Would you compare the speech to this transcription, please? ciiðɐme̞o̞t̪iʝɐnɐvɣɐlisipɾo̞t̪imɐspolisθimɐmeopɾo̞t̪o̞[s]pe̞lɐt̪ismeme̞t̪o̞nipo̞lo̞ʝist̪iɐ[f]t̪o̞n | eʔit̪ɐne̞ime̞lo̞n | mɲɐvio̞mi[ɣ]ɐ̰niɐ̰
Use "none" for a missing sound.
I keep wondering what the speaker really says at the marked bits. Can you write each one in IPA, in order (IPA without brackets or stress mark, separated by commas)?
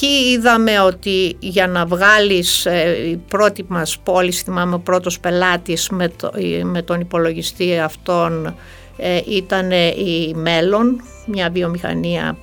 s, f, x